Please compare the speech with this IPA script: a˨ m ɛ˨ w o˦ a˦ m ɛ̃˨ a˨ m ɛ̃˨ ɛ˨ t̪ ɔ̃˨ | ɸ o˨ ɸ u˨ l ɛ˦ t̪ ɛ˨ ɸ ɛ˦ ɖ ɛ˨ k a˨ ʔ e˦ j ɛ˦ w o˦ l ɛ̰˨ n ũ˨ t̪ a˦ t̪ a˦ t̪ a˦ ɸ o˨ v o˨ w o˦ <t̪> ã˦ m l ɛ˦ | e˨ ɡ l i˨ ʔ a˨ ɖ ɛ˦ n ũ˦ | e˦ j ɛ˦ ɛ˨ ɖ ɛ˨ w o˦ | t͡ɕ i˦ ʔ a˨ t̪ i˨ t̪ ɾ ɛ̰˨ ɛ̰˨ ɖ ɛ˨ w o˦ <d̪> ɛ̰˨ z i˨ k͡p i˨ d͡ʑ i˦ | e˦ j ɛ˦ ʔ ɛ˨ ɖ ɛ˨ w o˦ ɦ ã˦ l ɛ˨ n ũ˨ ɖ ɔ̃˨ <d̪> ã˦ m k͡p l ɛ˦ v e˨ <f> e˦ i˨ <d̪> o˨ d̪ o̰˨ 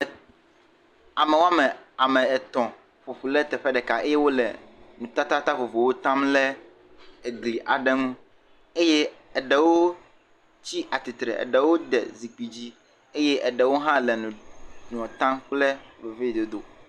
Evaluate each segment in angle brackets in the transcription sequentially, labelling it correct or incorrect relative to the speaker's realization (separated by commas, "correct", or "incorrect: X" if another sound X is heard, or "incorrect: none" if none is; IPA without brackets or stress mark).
correct, correct, incorrect: t̪, incorrect: v, correct